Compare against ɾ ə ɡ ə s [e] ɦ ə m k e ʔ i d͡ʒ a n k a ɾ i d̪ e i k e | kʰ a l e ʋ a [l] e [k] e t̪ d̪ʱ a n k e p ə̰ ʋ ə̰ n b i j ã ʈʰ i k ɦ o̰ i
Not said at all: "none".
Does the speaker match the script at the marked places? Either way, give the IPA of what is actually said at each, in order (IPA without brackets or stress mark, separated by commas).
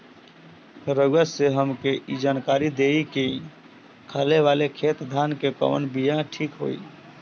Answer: e, l, kʰ